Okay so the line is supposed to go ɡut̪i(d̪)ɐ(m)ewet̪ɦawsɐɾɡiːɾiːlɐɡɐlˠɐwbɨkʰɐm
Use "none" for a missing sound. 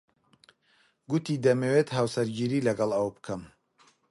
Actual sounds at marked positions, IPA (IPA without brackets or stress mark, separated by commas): d̪, m